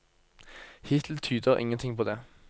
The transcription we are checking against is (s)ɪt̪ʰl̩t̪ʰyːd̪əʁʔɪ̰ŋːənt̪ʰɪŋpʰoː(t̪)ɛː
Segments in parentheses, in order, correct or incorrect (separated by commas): incorrect, incorrect